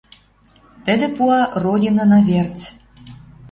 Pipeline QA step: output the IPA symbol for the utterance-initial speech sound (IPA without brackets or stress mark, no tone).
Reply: t̪